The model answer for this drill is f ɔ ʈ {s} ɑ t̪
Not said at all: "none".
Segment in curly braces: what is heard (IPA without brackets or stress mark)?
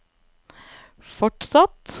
s